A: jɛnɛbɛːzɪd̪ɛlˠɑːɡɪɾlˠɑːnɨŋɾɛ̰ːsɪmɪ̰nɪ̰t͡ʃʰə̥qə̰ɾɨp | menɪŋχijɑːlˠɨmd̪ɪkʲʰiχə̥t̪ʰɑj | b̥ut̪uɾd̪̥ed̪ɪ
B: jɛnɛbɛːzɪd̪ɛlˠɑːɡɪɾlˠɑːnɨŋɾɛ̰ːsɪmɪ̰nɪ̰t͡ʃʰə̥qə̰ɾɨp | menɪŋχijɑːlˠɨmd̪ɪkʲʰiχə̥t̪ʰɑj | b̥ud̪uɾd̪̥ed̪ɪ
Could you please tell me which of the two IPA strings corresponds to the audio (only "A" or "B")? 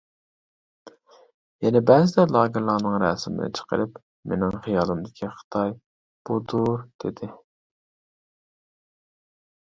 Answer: B